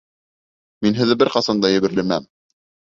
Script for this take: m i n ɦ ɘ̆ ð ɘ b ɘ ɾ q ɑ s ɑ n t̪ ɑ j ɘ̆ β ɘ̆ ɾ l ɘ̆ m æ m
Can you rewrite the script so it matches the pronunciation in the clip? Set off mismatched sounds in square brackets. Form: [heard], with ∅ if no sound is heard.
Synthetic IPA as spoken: m i n ɦ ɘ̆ ð ɘ b ɘ ɾ q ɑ s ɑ n [d̪] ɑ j ɘ̆ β ɘ̆ ɾ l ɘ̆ m æ m